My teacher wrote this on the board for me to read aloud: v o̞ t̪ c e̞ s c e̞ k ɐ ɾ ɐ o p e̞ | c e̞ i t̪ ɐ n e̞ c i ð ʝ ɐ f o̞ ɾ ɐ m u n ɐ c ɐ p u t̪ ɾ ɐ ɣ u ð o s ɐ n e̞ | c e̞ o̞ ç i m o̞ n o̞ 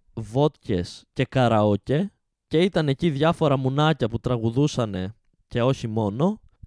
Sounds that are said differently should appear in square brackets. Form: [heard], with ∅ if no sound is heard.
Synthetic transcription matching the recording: v o̞ t̪ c e̞ s c e̞ k ɐ ɾ ɐ o [c] e̞ | c e̞ i t̪ ɐ n e̞ c i ð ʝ ɐ f o̞ ɾ ɐ m u n ɐ c ɐ p u t̪ ɾ ɐ ɣ u ð [u] s ɐ n e̞ | c e̞ o̞ ç i m o̞ n o̞